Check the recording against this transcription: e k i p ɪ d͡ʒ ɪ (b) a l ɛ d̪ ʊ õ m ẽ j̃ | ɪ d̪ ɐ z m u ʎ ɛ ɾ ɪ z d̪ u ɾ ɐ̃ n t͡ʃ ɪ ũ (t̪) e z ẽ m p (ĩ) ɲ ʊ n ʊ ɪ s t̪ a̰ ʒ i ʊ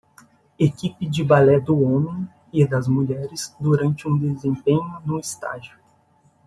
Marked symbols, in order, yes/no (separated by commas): yes, no, no